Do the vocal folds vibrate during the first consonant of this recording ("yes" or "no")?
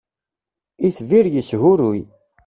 no